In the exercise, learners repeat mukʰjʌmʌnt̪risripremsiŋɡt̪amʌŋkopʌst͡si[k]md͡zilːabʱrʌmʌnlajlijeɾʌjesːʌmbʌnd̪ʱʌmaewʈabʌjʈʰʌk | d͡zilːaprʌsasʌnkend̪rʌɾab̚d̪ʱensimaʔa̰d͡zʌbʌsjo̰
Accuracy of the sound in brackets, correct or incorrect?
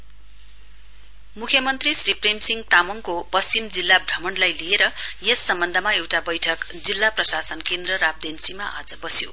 incorrect